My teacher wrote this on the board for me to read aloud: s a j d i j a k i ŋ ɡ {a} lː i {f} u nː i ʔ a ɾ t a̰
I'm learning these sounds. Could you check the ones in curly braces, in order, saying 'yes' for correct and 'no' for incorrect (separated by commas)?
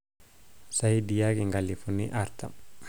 yes, yes